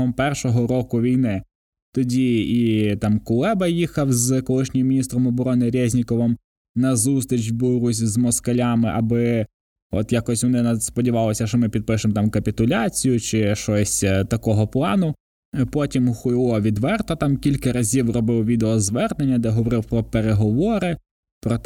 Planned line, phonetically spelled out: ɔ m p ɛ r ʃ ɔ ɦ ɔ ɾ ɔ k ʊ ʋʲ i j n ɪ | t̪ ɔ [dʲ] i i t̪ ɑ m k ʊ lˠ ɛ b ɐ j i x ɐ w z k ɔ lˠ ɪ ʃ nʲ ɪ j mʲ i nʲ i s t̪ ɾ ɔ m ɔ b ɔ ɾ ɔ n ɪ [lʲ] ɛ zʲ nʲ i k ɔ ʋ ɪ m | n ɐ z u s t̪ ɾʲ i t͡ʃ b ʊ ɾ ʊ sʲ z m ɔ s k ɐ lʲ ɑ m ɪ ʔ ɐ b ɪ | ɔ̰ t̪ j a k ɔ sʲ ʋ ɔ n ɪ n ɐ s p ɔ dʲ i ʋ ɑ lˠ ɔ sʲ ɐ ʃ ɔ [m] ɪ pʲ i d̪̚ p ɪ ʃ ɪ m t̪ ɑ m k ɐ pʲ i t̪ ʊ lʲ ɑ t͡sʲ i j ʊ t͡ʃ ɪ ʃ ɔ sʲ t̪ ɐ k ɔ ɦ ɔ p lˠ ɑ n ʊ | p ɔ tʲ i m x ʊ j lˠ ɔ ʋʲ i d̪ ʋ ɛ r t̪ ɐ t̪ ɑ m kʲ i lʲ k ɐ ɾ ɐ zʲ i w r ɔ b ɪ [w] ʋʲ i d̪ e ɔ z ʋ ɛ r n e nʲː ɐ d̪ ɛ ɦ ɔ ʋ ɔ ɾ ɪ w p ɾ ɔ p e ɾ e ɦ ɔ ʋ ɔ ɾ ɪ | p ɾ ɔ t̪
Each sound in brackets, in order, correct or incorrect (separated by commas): correct, incorrect, correct, correct